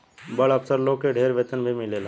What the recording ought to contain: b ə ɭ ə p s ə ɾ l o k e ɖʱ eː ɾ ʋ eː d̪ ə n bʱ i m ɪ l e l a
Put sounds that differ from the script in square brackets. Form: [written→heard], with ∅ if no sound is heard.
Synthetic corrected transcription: b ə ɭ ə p s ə ɾ l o k e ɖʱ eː ɾ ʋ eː [d̪→t̪] ə n bʱ i m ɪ l e l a

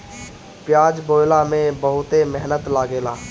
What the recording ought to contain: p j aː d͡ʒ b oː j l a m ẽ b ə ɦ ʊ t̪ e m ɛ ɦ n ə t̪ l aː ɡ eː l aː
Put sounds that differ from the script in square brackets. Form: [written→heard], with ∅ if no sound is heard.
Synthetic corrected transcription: p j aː d͡ʒ b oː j l a m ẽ b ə ɦ ʊ t̪ e m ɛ ɦ n ə t̪ l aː ɡ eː l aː

